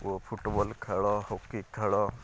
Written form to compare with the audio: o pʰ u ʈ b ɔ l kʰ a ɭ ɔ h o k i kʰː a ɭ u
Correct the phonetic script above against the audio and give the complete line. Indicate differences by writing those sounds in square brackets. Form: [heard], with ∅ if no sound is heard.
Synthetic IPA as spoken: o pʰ u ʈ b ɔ l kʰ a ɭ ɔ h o k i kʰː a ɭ [ɔ]